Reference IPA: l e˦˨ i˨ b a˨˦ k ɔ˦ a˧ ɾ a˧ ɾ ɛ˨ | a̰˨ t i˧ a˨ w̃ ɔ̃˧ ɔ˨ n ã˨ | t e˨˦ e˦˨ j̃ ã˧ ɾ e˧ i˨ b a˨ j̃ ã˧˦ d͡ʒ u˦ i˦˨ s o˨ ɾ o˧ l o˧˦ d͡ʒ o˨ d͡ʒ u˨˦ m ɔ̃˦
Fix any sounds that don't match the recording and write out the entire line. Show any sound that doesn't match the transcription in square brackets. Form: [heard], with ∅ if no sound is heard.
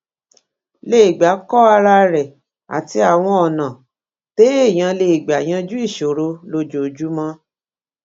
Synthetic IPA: l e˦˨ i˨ [ɡ͡b] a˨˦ k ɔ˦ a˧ ɾ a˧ ɾ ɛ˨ | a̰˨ t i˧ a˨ w̃ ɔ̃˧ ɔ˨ n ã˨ | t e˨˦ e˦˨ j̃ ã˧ [l] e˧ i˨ [ɡ͡b] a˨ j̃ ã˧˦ d͡ʒ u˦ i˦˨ [ʃ] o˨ ɾ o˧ l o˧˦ d͡ʒ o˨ d͡ʒ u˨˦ m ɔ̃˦